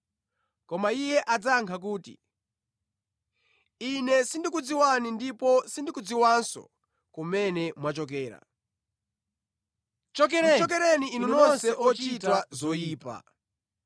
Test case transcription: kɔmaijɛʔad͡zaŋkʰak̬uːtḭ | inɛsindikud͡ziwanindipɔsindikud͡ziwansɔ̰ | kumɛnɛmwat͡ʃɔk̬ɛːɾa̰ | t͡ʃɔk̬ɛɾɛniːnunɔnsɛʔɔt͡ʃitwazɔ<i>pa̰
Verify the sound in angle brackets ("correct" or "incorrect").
incorrect